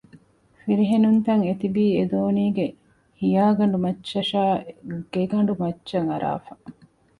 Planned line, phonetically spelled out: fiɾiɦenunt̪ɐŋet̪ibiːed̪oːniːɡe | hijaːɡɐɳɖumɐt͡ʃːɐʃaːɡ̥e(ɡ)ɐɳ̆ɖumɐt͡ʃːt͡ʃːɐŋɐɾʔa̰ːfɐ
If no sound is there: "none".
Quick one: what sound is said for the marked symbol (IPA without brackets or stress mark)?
ɡ